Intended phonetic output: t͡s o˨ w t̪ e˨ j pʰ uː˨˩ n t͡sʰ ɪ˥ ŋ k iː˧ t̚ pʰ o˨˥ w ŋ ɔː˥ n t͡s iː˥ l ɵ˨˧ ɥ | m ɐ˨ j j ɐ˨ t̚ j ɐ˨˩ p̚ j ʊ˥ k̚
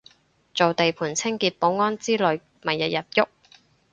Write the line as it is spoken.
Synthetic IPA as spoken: t͡s o˨ w t̪ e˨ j pʰ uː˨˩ n t͡sʰ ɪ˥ ŋ k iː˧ t̚ p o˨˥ w ŋ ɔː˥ n t͡s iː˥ l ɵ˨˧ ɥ | m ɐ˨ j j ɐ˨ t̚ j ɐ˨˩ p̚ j ʊ˥ k̚